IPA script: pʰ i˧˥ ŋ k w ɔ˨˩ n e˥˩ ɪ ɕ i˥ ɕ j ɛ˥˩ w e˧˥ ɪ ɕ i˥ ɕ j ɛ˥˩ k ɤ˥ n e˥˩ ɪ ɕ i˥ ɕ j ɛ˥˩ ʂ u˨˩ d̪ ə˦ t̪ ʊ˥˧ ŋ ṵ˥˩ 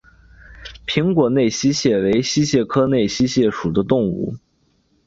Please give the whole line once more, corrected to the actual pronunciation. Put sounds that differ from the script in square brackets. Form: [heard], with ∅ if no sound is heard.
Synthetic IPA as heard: pʰ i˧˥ ŋ k w ɔ˨˩ n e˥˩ ɪ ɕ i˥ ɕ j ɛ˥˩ w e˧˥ ɪ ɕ i˥ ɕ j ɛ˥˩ [kʰ] ɤ˥ n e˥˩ ɪ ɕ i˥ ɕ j ɛ˥˩ ʂ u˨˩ d̪ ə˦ t̪ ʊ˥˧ ŋ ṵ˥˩